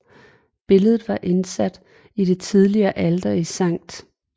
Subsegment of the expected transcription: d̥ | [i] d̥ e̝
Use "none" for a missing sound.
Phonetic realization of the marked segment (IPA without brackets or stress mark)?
i